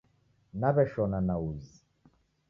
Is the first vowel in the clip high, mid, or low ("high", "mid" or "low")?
low